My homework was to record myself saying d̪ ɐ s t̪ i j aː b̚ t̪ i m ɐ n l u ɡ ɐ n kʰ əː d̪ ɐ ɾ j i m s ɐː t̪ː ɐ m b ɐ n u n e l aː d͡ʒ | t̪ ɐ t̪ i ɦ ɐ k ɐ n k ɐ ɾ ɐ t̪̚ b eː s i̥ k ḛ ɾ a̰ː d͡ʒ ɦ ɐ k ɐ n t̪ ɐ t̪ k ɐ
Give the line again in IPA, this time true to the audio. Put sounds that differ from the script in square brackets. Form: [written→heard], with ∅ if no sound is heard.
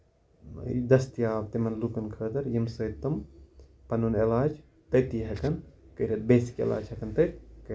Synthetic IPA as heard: d̪ ɐ s t̪ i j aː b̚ t̪ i m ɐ n l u [ɡ→k] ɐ n kʰ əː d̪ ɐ ɾ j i m s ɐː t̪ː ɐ m [b→p] ɐ n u n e l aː d͡ʒ | t̪ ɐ t̪ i ɦ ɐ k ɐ n k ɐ ɾ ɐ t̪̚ b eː s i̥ k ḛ [ɾ→l] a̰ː d͡ʒ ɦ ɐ k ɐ n t̪ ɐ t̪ k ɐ